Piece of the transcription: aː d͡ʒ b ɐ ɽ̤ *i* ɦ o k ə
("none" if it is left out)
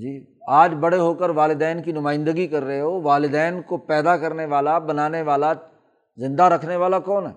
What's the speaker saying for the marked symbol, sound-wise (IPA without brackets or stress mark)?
e